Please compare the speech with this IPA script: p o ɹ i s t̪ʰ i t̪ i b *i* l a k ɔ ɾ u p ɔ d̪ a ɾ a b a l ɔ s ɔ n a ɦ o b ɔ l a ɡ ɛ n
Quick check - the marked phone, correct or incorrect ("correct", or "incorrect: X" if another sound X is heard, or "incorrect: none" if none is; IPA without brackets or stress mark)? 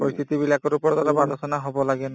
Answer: correct